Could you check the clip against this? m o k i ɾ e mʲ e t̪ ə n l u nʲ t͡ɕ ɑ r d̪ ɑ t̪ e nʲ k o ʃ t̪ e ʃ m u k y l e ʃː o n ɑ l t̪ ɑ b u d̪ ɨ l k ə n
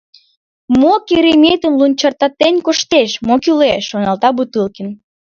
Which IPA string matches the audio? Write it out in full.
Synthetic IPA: m o k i ɾ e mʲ e t̪ ə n l u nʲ t͡ɕ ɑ r t̪ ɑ t̪ e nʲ k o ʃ t̪ e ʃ m o k y l e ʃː o n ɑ l t̪ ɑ b u t̪ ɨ l k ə n